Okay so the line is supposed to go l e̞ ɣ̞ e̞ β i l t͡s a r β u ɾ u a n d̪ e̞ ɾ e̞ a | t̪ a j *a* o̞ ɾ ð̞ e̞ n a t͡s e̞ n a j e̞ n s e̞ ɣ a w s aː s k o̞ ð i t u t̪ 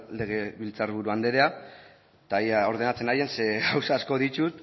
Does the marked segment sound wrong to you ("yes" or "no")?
no